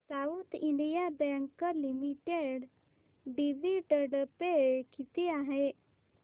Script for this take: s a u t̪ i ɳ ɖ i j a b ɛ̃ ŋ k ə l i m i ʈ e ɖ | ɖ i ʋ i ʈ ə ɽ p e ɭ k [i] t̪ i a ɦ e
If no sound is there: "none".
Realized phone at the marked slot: i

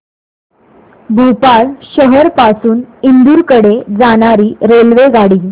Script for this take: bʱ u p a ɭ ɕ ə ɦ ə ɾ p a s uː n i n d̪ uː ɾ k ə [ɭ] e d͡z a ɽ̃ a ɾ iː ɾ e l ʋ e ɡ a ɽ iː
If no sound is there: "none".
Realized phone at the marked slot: ɽ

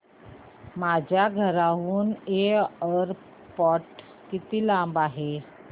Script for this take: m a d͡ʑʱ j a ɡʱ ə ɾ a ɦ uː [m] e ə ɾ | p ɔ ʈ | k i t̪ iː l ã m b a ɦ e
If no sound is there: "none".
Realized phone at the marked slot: n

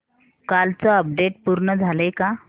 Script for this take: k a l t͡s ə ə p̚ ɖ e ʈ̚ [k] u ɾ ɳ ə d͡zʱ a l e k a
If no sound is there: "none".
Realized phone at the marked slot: p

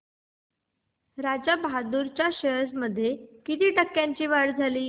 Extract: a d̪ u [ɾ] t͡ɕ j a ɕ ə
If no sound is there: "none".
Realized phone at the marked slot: ɾ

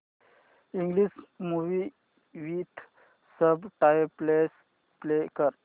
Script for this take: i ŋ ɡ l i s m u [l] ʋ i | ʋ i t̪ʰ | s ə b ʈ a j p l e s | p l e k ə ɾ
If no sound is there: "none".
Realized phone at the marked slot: none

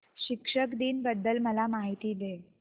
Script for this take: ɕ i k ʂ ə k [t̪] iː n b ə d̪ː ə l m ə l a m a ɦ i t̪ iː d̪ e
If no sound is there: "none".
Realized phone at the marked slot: d̪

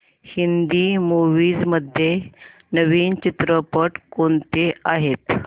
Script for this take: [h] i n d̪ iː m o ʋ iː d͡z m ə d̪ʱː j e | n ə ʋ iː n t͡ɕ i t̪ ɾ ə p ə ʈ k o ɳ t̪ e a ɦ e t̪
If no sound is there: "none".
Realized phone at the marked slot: h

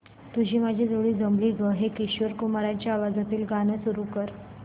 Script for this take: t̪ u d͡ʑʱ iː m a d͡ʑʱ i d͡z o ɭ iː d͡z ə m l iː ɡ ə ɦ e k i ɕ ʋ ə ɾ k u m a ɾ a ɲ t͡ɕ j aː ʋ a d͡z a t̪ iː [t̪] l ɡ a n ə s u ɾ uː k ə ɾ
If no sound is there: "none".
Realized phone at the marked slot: none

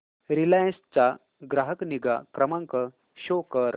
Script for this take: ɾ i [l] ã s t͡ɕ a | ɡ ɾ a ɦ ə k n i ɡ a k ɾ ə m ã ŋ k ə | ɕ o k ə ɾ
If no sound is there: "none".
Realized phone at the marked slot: l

